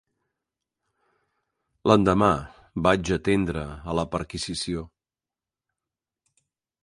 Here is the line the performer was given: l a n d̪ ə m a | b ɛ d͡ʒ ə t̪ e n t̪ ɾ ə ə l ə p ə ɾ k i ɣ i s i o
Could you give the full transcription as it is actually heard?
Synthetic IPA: l ə n d̪ ə m a | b a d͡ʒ ə t̪ e n d̪ ɾ ə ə l ə p ə ɾ k i z i s i o